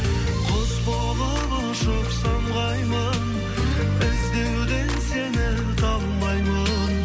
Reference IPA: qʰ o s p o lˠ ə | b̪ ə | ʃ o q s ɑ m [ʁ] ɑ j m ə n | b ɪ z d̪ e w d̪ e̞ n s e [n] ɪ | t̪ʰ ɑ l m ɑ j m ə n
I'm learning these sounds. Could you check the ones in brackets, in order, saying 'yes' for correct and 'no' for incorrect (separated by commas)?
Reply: yes, yes